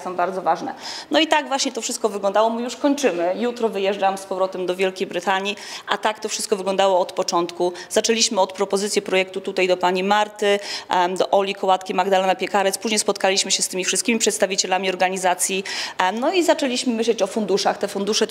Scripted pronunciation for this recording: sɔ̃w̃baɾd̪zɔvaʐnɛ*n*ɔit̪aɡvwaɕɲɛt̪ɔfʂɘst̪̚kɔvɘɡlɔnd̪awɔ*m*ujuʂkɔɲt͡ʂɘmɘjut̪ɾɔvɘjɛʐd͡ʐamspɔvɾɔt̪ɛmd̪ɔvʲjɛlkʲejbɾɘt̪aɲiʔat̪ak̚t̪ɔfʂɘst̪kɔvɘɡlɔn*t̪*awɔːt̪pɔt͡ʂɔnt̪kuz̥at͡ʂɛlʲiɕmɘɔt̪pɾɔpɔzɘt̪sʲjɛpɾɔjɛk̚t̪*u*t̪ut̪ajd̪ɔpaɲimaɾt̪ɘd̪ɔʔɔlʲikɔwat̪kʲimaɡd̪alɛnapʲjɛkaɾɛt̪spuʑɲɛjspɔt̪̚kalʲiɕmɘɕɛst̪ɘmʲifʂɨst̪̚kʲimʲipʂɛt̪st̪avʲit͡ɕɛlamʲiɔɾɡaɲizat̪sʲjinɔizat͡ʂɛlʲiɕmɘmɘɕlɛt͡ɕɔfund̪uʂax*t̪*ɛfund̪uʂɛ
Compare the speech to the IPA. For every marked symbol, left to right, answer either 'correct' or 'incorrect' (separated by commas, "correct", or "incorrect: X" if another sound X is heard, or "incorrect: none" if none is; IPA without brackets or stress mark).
correct, correct, incorrect: d̪, correct, correct